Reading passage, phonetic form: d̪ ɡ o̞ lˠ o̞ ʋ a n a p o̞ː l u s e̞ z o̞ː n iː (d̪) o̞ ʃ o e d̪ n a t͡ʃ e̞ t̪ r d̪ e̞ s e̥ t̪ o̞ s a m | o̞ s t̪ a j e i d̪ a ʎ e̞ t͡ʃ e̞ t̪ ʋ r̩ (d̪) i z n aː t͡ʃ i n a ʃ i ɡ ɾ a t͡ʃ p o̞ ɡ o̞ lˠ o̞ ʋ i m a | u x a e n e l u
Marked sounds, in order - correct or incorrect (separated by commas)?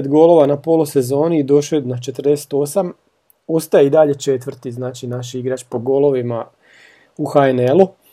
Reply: correct, incorrect